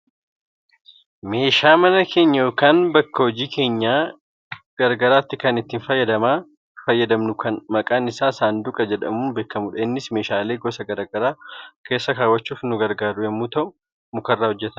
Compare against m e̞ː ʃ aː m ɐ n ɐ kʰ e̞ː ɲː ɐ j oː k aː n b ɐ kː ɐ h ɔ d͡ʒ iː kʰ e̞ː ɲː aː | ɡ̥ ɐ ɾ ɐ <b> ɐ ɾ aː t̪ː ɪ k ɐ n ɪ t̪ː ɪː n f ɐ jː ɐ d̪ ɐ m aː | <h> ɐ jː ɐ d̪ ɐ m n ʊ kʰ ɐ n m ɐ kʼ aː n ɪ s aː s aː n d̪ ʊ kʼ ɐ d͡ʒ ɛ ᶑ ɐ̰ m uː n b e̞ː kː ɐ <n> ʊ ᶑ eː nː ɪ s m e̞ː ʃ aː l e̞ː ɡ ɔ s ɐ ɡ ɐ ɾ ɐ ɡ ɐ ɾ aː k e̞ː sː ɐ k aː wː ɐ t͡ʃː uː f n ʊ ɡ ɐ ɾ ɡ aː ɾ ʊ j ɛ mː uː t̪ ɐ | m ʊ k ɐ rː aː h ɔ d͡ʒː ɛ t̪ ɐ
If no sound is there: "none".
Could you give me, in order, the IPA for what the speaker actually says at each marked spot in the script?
ɡ, f, m

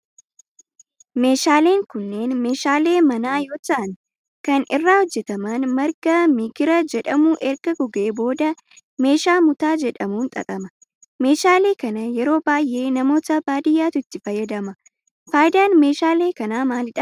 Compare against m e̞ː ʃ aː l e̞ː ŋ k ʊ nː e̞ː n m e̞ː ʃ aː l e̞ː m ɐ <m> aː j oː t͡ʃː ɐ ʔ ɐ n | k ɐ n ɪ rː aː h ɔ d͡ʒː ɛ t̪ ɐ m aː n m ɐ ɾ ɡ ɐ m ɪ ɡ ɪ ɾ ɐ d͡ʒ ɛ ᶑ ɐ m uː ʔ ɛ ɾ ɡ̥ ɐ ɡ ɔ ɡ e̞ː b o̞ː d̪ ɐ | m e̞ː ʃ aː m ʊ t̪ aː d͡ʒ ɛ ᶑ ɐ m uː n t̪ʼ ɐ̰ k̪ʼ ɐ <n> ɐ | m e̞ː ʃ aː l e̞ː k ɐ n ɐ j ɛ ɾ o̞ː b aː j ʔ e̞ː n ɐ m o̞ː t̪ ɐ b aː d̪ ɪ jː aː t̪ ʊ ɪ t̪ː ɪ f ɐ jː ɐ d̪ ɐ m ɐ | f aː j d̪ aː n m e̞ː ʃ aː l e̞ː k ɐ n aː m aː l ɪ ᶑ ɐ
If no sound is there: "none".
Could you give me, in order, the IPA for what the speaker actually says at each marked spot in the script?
n, m

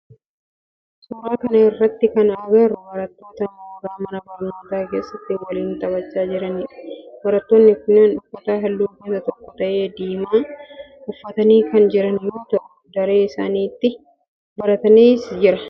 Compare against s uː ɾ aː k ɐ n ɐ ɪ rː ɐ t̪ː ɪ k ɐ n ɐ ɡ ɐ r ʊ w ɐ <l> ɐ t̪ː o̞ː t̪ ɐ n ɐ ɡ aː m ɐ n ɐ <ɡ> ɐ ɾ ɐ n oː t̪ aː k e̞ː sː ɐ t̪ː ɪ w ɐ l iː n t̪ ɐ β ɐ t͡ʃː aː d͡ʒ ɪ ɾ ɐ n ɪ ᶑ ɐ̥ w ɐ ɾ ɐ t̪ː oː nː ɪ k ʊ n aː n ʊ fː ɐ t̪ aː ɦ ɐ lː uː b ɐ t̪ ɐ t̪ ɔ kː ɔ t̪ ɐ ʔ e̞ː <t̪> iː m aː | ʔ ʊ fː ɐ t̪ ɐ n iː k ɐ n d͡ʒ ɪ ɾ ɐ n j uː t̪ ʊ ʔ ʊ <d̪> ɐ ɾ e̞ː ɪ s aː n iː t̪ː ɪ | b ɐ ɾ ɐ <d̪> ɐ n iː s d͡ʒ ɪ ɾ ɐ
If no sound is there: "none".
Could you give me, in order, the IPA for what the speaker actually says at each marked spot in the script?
ɾ, b, d̪, d̪, t̪

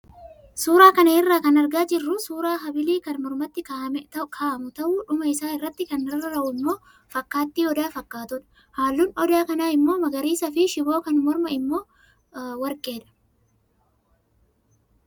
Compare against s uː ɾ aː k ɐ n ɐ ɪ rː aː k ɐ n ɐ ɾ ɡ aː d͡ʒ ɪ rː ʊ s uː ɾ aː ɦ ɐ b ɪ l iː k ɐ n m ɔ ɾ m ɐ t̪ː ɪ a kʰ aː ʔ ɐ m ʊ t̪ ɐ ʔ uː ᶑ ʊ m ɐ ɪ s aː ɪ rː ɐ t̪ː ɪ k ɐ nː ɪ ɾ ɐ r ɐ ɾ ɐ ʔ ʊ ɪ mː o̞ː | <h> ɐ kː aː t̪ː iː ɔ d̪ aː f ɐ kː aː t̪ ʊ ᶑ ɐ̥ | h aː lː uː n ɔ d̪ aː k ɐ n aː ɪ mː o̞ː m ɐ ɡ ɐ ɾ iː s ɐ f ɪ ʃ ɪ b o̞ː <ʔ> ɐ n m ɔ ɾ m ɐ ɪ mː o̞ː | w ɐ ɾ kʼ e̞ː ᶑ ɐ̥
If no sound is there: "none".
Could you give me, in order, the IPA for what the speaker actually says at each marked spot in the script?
f, k

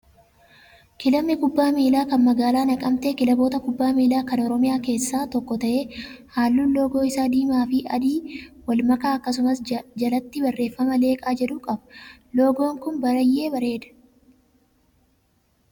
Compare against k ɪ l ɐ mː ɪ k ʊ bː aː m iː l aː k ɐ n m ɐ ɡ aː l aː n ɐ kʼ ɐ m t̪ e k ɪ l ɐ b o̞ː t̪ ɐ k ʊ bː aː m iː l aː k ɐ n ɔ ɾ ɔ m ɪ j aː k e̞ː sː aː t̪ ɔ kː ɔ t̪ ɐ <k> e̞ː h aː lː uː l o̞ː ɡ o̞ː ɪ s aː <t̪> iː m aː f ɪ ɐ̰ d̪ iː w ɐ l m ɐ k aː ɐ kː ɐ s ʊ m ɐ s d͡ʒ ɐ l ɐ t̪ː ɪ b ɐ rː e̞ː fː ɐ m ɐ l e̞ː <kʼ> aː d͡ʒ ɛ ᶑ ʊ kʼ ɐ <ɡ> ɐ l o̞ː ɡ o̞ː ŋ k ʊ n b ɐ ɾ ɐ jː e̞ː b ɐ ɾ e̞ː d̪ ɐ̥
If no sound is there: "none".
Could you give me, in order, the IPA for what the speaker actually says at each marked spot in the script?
ʔ, d̪, kʼ, b

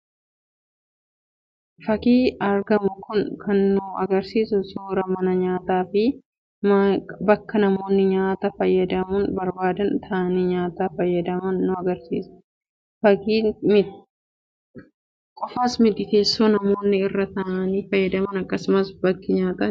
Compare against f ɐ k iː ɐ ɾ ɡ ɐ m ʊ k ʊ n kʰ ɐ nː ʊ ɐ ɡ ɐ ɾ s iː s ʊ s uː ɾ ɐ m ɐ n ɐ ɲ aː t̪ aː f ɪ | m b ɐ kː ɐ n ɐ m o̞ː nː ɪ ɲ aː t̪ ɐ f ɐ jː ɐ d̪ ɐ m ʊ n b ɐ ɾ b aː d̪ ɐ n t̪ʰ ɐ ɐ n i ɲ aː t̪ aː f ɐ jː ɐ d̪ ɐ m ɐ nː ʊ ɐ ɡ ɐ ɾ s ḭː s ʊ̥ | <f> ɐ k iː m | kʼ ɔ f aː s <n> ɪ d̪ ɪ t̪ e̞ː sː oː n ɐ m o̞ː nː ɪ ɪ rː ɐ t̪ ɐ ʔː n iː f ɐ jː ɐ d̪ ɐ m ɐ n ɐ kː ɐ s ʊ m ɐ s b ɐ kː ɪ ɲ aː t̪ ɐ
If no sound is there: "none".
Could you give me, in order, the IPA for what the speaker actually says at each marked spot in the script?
f, m

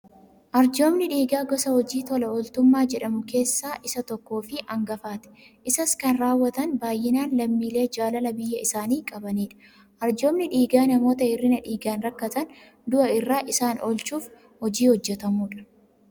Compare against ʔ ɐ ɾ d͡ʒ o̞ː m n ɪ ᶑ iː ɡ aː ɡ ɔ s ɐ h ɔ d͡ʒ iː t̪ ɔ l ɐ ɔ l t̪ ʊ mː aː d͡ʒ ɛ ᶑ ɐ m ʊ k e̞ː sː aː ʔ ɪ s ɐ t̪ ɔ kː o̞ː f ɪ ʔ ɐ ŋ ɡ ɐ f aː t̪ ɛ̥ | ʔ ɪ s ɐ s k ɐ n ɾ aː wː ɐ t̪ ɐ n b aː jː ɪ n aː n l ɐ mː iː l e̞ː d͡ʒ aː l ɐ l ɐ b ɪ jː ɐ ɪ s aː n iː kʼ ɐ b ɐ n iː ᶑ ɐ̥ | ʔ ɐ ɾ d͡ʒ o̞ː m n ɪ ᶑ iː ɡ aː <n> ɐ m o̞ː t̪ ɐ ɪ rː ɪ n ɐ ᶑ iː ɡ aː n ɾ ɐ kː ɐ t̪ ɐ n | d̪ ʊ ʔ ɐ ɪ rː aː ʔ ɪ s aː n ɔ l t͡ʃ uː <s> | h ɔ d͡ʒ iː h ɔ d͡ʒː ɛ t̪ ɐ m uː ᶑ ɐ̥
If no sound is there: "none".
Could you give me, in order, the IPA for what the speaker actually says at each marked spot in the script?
n, f

